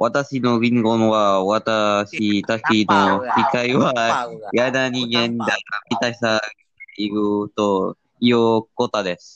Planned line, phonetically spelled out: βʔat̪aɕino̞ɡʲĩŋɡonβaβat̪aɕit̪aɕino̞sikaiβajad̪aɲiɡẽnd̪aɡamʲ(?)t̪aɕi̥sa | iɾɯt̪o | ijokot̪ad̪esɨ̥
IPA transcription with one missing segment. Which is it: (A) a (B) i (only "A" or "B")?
B